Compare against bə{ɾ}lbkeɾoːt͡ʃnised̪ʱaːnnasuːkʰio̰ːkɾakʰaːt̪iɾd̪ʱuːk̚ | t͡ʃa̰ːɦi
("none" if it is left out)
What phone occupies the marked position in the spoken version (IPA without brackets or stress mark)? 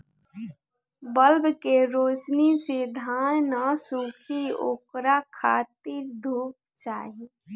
none